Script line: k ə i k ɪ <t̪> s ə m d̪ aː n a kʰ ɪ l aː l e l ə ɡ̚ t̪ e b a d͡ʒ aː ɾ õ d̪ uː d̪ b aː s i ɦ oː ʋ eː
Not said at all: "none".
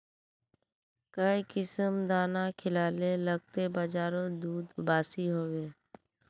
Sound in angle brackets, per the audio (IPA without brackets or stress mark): none